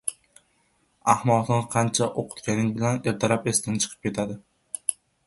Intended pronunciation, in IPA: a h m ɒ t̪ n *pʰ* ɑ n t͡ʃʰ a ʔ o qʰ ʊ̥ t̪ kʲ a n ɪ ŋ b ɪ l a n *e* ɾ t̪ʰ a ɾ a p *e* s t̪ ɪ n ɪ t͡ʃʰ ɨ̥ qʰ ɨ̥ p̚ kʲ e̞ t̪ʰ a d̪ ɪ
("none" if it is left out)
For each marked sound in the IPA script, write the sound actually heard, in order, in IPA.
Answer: qʰ, e, e

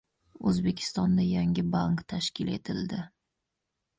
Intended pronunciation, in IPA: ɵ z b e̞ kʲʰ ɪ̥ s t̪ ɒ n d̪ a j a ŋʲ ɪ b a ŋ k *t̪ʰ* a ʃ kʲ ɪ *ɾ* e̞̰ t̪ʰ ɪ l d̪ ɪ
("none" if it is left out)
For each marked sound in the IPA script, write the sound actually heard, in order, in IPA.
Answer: t̪ʰ, l

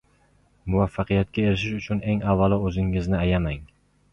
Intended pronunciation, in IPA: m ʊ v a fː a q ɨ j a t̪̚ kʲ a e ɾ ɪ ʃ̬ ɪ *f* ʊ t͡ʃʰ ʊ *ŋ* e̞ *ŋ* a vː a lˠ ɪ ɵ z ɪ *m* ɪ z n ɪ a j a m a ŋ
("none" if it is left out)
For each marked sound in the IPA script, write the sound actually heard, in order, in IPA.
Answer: ʃ, n, ŋ, ŋ

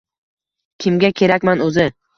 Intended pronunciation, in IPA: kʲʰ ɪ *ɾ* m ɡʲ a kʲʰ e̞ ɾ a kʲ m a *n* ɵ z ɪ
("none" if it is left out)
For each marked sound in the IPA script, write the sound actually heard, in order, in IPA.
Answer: none, n

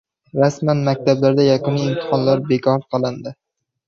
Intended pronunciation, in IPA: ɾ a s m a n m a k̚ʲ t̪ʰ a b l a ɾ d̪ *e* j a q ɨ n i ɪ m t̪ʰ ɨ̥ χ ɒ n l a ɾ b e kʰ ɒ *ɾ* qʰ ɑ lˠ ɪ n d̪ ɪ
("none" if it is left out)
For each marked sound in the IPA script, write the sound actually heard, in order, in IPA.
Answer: a, ɾ

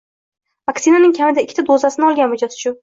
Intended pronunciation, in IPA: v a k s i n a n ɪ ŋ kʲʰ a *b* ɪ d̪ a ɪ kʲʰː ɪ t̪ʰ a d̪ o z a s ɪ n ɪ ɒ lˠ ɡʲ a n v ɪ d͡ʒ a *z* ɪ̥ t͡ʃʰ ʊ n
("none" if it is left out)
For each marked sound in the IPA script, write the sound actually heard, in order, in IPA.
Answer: m, s

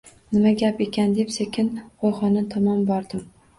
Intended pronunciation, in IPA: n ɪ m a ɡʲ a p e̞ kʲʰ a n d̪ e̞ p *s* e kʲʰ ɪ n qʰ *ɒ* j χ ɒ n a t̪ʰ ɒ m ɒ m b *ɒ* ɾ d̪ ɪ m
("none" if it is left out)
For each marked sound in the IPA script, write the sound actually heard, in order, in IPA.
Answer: s, o, ɒ

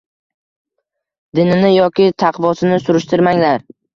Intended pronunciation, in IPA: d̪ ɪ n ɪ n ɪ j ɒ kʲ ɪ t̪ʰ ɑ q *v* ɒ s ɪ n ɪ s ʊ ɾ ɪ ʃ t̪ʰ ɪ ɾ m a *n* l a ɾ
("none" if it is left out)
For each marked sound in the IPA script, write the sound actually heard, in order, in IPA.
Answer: v, ŋ

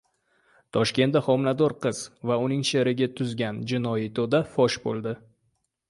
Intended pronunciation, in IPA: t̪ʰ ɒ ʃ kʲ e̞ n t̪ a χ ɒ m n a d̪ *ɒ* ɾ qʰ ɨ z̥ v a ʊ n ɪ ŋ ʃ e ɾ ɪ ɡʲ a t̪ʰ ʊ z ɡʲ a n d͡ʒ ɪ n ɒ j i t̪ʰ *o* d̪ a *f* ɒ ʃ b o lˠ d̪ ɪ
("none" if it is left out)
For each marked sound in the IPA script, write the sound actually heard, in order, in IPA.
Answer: ɒ, o, f

